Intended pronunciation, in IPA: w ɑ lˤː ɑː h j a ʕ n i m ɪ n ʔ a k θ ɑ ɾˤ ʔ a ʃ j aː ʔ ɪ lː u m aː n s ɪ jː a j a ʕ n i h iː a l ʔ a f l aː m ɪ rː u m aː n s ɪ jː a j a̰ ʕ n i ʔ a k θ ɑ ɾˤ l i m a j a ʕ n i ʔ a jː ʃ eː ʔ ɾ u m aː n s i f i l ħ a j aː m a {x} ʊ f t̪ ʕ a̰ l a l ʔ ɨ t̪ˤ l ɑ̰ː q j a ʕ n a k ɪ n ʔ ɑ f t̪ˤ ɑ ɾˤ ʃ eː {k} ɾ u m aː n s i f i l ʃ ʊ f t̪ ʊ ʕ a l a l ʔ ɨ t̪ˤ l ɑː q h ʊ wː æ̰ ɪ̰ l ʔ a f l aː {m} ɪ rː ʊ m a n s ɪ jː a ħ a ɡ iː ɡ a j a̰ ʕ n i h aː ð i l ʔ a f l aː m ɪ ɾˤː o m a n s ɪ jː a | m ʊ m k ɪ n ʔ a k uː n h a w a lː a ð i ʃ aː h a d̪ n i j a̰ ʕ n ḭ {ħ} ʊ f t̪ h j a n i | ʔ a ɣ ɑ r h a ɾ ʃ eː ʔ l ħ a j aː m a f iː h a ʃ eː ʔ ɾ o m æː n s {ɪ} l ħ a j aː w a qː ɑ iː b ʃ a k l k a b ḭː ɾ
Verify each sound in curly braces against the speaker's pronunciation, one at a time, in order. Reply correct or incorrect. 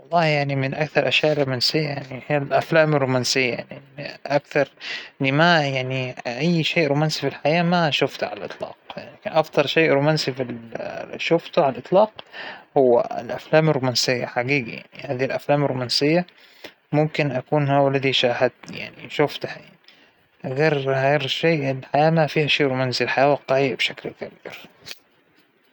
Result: incorrect: ʃ, incorrect: ʔ, correct, incorrect: ʃ, incorrect: i

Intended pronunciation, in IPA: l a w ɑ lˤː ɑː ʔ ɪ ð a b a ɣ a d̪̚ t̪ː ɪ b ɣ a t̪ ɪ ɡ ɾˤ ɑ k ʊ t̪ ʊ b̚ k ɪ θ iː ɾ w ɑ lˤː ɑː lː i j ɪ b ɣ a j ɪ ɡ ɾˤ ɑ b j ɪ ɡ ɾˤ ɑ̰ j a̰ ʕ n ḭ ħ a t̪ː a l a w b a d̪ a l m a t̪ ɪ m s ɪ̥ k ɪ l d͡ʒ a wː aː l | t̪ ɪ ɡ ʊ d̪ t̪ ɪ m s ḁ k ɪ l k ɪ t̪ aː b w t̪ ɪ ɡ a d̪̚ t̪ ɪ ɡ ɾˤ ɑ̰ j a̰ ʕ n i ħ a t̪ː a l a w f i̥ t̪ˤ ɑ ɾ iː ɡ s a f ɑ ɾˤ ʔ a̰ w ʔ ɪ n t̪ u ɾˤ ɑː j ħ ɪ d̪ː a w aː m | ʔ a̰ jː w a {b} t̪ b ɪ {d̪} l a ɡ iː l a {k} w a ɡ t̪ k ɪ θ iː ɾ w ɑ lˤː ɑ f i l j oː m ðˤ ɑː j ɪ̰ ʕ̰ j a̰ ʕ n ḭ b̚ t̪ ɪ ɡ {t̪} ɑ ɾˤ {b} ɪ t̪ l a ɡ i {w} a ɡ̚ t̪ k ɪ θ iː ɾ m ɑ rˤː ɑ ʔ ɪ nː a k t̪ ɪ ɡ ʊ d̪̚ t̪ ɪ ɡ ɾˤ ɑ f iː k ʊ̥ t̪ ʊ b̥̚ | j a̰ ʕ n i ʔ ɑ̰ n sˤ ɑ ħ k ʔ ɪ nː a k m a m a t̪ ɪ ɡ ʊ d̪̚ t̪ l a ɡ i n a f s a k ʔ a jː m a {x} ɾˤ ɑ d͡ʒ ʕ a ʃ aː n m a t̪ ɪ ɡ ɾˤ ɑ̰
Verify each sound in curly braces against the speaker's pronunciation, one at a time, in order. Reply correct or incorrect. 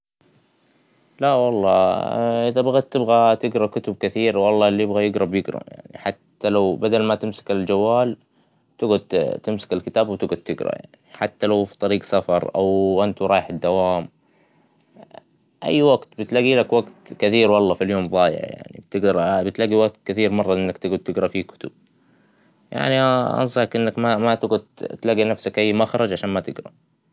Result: incorrect: ɡ, incorrect: t̪, correct, incorrect: d̪, correct, correct, correct

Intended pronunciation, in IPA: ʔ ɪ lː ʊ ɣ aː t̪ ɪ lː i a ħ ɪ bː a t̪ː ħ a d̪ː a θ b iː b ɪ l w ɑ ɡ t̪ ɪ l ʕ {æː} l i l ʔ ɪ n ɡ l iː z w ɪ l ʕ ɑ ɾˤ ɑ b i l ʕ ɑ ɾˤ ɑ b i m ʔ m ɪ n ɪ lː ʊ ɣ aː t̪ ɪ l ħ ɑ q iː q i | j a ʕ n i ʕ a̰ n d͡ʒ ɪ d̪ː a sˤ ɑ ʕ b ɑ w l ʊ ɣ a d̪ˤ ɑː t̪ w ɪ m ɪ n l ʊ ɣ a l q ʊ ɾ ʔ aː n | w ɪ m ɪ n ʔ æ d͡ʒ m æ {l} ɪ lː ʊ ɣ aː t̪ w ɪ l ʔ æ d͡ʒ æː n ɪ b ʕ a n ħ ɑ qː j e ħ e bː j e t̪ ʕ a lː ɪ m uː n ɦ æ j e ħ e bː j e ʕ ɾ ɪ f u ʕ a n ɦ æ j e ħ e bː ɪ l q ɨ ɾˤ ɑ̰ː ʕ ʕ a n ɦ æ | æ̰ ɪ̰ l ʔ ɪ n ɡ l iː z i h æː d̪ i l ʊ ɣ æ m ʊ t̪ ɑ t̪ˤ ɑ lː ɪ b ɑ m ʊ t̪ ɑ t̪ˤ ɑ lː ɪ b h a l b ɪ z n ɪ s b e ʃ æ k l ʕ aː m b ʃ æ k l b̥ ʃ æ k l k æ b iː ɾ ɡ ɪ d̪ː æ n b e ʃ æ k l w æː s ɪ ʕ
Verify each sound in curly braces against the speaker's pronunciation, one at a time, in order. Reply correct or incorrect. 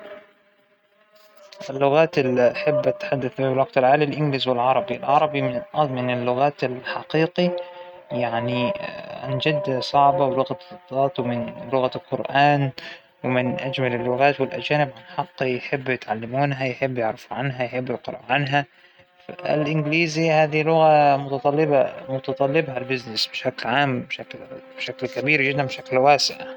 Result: incorrect: aː, correct

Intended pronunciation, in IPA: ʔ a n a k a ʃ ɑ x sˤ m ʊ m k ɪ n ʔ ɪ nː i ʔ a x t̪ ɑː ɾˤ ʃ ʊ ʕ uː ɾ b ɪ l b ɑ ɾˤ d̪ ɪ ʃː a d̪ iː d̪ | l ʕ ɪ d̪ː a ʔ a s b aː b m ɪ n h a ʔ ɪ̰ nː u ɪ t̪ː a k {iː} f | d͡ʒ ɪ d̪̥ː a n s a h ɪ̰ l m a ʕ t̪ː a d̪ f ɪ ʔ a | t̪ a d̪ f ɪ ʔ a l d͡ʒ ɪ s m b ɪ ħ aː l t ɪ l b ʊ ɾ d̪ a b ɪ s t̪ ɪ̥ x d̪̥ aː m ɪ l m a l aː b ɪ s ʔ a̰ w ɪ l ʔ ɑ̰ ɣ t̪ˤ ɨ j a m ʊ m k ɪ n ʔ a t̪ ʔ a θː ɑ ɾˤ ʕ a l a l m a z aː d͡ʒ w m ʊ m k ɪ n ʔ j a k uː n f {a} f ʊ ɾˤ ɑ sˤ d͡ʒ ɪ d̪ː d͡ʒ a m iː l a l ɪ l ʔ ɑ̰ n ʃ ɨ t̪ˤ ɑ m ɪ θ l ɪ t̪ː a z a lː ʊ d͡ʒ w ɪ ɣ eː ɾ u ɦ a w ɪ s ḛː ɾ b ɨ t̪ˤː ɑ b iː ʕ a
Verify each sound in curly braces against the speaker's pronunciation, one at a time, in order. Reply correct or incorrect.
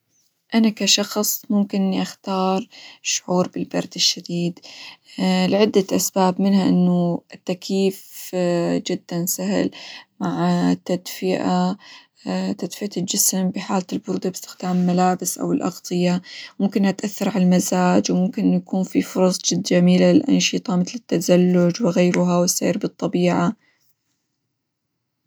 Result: correct, incorrect: i

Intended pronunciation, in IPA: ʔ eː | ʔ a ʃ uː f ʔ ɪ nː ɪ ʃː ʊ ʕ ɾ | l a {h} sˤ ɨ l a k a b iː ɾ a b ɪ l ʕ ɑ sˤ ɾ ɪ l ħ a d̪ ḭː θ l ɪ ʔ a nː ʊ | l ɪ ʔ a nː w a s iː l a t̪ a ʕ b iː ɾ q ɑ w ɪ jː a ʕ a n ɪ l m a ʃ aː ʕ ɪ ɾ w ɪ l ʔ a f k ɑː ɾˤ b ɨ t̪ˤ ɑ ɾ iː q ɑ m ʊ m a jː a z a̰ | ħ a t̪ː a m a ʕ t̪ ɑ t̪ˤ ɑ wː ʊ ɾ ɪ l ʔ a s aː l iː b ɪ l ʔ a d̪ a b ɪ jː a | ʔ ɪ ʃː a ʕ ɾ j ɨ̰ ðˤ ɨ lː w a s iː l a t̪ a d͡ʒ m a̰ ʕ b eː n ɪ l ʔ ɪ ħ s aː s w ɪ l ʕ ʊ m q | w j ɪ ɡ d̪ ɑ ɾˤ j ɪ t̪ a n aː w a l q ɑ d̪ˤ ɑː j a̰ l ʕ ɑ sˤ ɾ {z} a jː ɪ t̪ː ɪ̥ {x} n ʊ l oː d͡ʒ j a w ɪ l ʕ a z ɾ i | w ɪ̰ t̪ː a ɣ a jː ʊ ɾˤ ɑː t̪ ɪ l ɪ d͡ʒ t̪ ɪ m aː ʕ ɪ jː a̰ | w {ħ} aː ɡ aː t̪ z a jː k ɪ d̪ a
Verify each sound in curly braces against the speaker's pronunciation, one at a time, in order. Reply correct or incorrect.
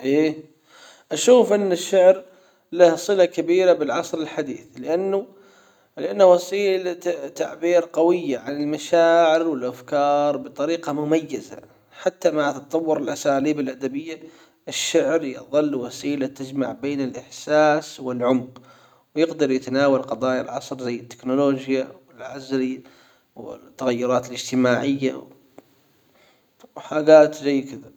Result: correct, correct, incorrect: k, correct

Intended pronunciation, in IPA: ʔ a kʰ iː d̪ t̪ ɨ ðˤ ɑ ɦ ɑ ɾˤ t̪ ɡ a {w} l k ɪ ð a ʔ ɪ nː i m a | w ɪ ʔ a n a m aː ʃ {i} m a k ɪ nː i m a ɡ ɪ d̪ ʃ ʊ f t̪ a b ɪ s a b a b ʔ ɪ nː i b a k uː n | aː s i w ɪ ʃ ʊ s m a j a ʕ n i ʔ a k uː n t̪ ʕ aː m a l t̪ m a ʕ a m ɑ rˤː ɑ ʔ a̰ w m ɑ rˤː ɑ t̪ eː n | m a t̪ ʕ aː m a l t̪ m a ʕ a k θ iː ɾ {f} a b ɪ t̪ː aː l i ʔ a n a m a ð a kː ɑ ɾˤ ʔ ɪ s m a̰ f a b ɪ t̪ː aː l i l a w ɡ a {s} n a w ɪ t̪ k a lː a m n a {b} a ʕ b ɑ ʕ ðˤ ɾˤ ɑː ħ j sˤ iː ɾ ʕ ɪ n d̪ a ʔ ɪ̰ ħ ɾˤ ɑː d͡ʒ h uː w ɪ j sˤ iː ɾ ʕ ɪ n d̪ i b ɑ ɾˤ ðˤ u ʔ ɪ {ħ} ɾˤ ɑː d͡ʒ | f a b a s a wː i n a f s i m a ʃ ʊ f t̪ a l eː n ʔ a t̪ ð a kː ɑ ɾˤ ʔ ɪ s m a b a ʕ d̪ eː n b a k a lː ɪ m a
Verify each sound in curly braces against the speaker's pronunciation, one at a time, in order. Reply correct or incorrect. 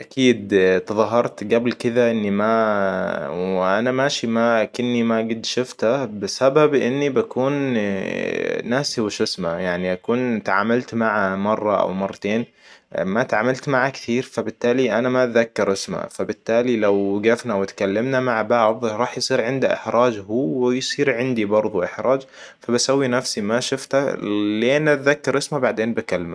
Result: incorrect: b, correct, correct, incorrect: f, incorrect: m, correct

